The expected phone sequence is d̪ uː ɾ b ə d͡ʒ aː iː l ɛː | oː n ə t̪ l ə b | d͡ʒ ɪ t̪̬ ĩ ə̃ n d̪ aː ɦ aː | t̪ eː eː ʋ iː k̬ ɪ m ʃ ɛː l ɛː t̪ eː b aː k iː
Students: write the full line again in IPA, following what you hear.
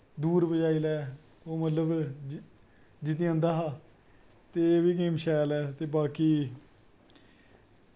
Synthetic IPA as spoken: d̪ uː ɾ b ə d͡ʒ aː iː l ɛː | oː m ə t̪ l ə b | d͡ʒ ɪ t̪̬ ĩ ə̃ n d̪ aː ɦ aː | t̪ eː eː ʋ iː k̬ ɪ m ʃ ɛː l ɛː t̪ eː b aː k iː